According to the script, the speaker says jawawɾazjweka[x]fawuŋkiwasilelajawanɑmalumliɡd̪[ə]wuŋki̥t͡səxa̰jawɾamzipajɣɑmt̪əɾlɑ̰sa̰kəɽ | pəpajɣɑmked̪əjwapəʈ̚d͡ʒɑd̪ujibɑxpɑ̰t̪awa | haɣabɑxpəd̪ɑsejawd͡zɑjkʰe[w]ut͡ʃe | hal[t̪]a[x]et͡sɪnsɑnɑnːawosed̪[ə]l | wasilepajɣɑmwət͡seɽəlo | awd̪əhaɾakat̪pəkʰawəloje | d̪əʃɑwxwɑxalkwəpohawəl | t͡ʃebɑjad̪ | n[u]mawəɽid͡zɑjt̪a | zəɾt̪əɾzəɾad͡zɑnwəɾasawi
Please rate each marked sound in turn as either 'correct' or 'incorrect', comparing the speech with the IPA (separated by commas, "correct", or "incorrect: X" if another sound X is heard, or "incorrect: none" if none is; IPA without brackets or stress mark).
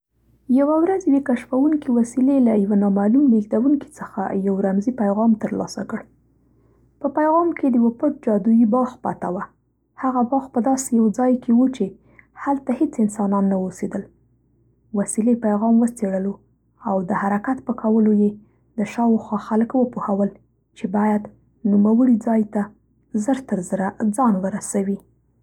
incorrect: ʃ, incorrect: a, correct, correct, incorrect: h, correct, correct